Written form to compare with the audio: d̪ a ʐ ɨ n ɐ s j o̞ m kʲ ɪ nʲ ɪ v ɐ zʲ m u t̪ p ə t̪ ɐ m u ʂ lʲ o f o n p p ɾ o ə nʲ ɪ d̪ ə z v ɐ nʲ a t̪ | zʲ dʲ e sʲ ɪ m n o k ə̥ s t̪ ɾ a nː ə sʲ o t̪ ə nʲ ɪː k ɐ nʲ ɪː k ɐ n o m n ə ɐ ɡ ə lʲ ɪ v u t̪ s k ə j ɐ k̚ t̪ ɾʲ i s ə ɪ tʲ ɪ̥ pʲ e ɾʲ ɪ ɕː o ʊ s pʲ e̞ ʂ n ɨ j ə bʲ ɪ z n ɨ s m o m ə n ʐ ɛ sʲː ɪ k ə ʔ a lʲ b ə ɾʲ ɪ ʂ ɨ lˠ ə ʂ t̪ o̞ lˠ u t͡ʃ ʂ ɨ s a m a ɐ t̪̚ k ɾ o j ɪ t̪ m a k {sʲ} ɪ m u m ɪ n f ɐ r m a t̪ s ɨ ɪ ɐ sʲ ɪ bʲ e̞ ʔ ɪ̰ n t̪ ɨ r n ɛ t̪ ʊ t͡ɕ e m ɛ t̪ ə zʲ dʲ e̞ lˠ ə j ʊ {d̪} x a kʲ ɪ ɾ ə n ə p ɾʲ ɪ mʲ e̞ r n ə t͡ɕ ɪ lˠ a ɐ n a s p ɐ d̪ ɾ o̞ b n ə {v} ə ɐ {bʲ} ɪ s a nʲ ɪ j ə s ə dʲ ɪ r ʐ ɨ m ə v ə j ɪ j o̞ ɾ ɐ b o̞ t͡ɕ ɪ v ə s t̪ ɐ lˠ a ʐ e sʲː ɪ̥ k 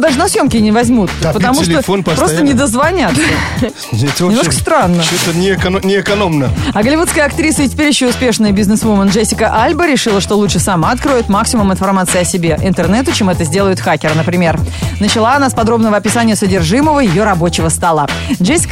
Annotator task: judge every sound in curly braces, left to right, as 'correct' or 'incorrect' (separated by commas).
correct, incorrect, correct, incorrect